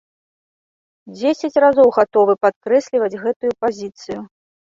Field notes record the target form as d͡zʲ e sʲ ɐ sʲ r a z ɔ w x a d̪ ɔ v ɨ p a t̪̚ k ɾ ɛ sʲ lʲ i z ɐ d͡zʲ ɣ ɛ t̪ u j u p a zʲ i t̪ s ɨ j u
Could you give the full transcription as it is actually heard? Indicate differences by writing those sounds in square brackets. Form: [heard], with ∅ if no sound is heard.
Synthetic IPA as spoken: d͡zʲ e sʲ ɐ [t͡sʲ] r a z ɔ w [ɣ] a [t̪] ɔ v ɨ p a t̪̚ k ɾ ɛ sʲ lʲ i [v] ɐ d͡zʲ ɣ ɛ t̪ u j u p a zʲ i t̪ s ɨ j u

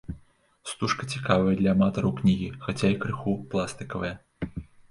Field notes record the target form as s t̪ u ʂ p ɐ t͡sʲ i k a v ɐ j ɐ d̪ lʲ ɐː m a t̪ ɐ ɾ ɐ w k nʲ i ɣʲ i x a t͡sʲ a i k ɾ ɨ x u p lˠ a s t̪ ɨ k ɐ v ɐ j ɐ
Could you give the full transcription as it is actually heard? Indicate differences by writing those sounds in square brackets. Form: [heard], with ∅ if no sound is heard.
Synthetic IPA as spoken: s t̪ u ʂ [k] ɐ t͡sʲ i k a v ɐ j ɐ d̪ lʲ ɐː m a t̪ ɐ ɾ ɐ w k nʲ i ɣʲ i x a t͡sʲ a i k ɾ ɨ x u p lˠ a s t̪ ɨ k ɐ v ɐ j ɐ

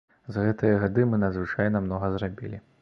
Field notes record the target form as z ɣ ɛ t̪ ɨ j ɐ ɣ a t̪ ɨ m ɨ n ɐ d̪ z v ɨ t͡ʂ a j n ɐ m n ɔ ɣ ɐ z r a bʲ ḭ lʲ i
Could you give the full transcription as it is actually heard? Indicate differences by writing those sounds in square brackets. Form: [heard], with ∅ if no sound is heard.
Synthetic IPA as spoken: z ɣ ɛ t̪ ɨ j ɐ ɣ a [d̪] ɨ m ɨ n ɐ d̪ z v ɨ t͡ʂ a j n ɐ m n ɔ ɣ ɐ z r a bʲ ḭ lʲ i

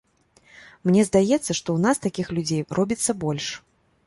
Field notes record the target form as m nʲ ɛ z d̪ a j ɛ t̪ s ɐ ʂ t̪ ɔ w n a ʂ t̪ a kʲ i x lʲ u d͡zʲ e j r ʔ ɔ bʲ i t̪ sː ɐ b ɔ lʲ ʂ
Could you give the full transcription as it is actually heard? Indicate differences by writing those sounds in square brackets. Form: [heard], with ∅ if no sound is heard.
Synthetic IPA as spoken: m nʲ ɛ z d̪ a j ɛ t̪ [sː] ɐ ʂ t̪ ɔ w n a [s] t̪ a kʲ i x lʲ u d͡zʲ e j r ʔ ɔ bʲ i t̪ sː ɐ b ɔ lʲ ʂ

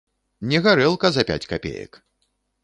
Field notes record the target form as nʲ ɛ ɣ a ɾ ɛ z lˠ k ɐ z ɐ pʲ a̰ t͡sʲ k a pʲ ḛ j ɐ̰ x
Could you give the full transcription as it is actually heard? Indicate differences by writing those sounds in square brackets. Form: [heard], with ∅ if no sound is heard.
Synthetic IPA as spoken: nʲ ɛ ɣ a ɾ ɛ [∅] lˠ k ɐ z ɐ pʲ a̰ t͡sʲ k a pʲ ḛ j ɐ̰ [k]

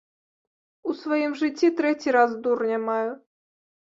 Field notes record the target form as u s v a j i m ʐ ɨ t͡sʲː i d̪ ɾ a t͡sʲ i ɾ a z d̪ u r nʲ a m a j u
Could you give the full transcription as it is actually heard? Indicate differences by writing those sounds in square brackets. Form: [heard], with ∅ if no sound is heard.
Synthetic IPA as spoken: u s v a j i m ʐ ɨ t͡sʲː i [t̪] ɾ [ɛ] t͡sʲ i ɾ a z d̪ u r nʲ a m a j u

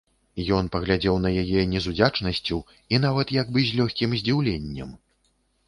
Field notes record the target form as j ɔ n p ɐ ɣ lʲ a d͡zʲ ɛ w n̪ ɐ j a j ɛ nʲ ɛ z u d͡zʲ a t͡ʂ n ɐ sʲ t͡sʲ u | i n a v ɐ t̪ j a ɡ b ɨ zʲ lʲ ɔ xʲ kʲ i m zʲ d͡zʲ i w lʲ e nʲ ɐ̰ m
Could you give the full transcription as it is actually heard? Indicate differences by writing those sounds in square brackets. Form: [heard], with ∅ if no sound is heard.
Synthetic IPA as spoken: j ɔ n p ɐ ɣ lʲ a d͡zʲ ɛ w n̪ ɐ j a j ɛ nʲ ɛ z u d͡zʲ a t͡ʂ n ɐ sʲ t͡sʲ u | i n a v ɐ t̪ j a ɡ b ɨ zʲ lʲ ɔ xʲ kʲ i m zʲ d͡zʲ i w lʲ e [nʲː] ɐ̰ m

